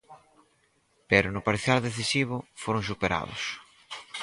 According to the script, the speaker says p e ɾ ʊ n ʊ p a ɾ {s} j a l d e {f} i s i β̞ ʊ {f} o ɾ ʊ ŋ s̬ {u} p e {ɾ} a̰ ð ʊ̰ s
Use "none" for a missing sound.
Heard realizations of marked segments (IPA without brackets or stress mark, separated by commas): θ, θ, f, u, ɾ